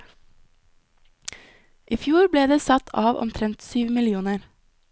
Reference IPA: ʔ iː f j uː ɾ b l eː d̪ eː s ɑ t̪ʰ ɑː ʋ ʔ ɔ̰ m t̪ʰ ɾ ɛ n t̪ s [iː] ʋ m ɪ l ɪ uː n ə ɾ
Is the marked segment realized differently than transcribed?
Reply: yes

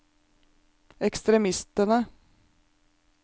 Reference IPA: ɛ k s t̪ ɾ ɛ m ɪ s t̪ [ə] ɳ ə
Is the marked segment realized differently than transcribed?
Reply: no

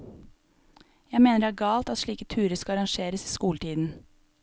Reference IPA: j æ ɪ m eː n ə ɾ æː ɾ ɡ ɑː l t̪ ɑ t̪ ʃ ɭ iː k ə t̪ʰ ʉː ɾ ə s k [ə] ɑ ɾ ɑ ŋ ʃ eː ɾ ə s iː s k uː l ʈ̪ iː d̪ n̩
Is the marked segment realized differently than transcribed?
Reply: yes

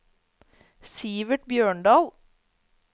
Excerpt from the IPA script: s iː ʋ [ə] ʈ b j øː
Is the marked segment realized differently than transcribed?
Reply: no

